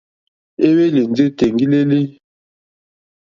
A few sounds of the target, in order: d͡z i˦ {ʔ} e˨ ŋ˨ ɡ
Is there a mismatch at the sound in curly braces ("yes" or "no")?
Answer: yes